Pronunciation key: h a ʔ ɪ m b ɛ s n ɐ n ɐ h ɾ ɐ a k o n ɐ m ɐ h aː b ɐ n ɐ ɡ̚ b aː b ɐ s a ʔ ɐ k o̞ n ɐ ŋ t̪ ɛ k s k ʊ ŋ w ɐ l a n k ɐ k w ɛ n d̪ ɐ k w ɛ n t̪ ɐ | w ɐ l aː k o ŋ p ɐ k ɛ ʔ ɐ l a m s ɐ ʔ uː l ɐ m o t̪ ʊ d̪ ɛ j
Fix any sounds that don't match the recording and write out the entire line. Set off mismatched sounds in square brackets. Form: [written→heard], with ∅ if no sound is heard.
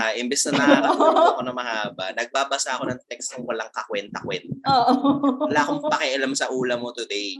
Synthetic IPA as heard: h a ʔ ɪ m b ɛ s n ɐ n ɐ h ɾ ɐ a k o n ɐ m ɐ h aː b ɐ n ɐ ɡ̚ b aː b ɐ s a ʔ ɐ k o̞ n ɐ ŋ t̪ ɛ k s k ʊ ŋ w ɐ l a [n→ŋ] k ɐ k w ɛ n [d̪→t̪] ɐ k w ɛ n t̪ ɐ | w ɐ l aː k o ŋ p ɐ k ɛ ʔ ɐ l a m s ɐ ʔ uː l ɐ m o t̪ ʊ d̪ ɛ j